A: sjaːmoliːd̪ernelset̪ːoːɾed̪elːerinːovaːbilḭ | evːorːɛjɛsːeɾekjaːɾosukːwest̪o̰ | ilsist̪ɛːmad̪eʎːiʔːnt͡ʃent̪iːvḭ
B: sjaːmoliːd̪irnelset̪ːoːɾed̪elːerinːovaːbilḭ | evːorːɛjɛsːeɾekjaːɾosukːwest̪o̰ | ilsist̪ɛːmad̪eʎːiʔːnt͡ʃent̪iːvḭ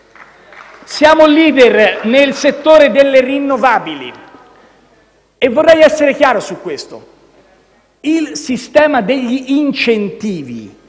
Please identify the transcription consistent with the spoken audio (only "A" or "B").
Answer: A